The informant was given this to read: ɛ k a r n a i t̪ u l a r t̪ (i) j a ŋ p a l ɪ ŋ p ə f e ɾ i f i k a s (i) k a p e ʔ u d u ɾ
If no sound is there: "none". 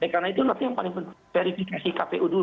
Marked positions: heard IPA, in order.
i, i

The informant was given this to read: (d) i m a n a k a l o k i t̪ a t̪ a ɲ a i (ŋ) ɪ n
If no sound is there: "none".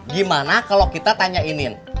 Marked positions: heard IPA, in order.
ɡ, n

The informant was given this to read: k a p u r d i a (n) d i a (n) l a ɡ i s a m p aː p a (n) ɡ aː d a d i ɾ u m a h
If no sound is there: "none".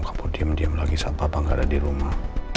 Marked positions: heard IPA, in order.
m, m, ŋ

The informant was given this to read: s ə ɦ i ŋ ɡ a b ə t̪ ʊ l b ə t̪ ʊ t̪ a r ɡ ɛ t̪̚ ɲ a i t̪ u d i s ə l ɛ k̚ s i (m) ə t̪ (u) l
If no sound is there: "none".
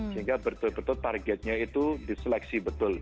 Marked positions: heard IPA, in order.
b, ʊ

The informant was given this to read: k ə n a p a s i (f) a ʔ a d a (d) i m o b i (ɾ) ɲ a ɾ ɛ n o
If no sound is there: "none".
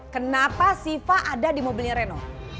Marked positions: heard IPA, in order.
f, d, l

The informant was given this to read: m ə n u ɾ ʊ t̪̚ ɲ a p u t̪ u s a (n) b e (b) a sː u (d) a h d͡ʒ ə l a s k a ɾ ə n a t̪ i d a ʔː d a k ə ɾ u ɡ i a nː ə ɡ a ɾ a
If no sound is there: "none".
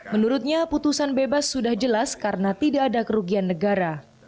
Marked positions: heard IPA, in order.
n, b, d

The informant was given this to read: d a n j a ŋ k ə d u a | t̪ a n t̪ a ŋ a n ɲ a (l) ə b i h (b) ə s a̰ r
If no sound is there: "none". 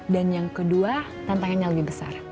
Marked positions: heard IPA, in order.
l, b

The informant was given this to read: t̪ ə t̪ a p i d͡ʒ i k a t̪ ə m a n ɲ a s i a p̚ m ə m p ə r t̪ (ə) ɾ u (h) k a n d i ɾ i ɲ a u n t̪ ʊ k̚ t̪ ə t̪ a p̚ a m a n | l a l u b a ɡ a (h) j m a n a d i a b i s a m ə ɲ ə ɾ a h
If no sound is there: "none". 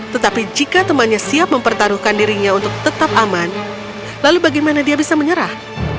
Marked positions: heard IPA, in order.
a, h, none

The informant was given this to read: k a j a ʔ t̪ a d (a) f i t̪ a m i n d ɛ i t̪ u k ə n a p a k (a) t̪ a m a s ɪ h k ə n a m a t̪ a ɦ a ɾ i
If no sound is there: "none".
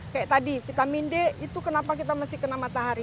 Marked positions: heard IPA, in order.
i, i

